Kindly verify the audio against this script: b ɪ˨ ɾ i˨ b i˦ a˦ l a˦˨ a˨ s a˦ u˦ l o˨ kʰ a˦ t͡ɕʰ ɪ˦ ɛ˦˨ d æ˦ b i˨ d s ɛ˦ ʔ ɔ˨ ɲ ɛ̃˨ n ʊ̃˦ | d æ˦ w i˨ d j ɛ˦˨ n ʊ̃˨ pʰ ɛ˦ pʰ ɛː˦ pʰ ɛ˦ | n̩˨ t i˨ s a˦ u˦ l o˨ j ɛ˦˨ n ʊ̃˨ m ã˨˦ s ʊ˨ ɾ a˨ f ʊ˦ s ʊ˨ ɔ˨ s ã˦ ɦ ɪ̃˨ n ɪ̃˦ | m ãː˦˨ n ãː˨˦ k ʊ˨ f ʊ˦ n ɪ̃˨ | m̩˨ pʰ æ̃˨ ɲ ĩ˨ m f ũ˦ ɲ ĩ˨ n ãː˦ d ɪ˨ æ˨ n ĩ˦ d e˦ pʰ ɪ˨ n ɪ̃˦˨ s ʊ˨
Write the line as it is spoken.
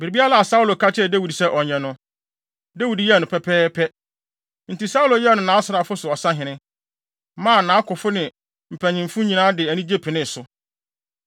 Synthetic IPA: b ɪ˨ ɾ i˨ b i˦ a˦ l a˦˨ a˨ s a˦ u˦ l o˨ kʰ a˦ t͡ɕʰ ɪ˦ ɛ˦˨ d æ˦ w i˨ d s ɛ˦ ʔ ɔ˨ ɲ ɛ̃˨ n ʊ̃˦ | d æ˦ w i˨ d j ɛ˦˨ n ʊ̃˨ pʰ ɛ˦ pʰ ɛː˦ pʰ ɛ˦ | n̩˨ t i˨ s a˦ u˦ l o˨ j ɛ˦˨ n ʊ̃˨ n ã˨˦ s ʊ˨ ɾ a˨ f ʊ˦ s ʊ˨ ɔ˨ s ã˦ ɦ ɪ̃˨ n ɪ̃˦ | m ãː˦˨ n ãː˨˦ k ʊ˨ f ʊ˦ n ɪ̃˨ | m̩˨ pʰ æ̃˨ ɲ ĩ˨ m f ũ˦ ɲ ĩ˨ n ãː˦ d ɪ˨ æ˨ n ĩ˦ d͡ʑ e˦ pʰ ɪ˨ n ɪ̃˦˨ s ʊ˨